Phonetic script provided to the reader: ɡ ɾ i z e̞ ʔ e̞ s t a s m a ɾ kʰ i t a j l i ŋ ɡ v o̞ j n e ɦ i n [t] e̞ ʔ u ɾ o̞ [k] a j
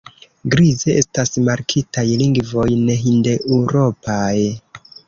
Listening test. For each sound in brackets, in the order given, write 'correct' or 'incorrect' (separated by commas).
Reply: incorrect, incorrect